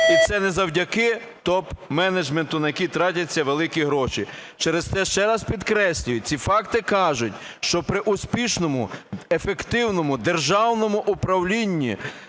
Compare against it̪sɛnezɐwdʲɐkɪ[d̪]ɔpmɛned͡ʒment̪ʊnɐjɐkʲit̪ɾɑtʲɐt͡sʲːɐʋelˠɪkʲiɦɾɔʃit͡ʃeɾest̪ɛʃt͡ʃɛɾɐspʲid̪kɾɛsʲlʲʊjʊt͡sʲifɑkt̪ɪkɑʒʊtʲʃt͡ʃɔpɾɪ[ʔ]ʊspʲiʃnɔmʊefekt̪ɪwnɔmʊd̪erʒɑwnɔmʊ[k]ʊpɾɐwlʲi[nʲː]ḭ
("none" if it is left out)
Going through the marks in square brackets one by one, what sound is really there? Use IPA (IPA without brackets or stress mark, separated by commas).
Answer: t̪, ʔ, ʔ, nʲː